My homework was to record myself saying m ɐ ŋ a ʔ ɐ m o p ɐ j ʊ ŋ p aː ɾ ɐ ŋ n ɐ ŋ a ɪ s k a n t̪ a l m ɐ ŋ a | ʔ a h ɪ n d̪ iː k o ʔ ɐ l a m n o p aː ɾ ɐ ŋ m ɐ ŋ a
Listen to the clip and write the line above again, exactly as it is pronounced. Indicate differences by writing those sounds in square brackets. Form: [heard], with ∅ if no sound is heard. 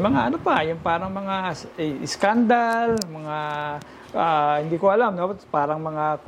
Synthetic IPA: m ɐ ŋ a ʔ ɐ [n] o p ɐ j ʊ ŋ p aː ɾ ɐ ŋ [m] ɐ ŋ a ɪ s k a n [d̪] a l m ɐ ŋ a | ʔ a h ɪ n d̪ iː k o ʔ ɐ l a m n o p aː ɾ ɐ ŋ m ɐ ŋ a